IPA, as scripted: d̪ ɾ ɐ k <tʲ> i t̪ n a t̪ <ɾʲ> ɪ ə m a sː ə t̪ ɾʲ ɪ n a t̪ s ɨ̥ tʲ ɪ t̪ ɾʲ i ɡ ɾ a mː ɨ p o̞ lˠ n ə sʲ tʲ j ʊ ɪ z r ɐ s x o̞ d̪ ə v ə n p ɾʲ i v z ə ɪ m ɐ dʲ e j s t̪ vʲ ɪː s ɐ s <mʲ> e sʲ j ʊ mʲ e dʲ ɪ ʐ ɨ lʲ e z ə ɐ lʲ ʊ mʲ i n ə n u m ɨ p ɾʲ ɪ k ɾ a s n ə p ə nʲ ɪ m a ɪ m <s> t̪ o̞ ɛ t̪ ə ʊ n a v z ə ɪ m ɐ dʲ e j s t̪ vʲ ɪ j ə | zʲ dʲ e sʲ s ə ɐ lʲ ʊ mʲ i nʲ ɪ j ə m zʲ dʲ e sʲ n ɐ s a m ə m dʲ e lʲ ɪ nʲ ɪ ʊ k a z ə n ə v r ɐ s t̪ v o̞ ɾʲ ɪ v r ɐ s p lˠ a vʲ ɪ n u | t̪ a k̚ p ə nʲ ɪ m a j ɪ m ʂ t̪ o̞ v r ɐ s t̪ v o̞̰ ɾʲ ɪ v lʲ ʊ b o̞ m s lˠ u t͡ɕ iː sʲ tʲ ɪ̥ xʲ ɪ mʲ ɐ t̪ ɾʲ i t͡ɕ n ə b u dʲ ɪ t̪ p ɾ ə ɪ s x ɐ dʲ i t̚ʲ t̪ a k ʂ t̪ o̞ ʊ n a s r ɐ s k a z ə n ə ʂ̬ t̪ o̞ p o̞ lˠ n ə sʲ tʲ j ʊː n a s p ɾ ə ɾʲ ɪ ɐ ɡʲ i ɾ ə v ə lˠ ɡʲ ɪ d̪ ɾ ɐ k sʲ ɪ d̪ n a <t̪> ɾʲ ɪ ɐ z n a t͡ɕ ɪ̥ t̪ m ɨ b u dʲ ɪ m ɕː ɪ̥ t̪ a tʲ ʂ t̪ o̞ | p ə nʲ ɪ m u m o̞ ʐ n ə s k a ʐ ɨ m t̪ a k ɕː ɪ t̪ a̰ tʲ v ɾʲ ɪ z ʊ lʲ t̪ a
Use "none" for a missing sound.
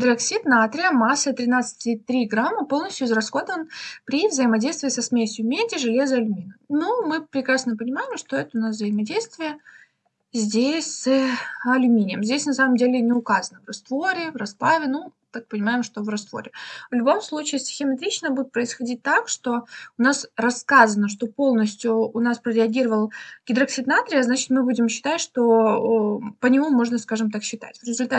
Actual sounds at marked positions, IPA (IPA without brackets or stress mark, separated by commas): sʲ, ɾʲ, mʲ, ʂ, t̪